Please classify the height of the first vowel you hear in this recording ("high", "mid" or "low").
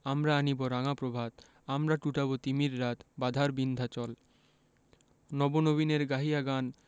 low